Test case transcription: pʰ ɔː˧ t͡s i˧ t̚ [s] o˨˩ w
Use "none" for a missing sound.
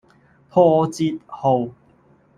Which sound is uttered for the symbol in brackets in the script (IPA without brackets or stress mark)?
h